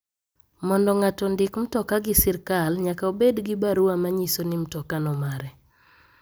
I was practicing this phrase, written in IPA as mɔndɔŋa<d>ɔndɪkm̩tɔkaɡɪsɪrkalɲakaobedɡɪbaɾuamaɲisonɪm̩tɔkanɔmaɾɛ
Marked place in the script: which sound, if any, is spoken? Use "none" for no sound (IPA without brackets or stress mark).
t